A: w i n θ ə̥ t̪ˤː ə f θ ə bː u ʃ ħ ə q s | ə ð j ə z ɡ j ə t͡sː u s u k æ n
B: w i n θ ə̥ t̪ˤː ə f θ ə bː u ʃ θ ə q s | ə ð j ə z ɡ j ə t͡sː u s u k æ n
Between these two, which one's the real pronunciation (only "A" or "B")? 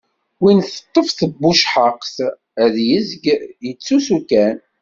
A